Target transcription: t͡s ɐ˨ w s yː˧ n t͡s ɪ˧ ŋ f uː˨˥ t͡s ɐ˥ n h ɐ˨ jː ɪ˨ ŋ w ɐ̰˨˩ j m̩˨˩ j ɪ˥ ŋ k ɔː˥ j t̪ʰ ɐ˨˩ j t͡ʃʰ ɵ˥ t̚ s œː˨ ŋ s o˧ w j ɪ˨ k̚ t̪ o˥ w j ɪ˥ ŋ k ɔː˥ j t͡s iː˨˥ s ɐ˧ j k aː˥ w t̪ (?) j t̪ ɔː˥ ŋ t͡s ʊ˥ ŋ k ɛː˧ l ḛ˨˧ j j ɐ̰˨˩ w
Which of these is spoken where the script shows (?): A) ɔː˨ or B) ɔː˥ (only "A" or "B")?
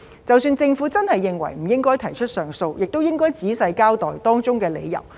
A